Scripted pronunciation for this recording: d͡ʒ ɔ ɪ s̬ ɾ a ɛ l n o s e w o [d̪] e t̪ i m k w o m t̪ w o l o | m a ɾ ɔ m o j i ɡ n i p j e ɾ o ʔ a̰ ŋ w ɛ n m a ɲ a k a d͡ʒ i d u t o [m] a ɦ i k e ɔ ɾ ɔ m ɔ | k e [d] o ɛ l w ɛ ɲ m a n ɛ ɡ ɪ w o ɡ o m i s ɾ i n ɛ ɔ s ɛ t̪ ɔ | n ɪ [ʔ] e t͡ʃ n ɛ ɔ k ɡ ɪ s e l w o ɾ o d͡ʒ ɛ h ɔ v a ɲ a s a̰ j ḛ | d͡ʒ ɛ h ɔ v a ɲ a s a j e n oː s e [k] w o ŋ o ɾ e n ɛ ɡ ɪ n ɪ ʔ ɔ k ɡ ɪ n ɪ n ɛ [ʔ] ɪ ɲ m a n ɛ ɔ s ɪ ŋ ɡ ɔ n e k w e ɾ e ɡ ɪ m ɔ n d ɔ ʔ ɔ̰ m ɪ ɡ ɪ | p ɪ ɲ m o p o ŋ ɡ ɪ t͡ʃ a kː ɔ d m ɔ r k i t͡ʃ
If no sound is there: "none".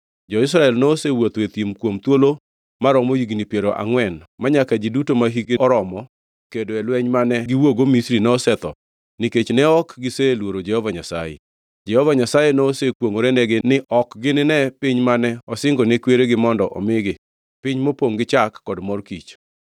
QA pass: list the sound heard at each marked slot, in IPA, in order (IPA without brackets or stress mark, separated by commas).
t̪, m, d, k, k, p